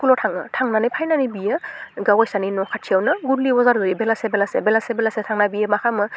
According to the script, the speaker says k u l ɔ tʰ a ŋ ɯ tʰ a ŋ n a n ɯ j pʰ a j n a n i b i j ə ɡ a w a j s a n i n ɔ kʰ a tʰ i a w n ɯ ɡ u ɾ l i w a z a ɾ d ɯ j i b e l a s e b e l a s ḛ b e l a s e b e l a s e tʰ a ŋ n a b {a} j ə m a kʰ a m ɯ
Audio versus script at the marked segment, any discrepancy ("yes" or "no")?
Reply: yes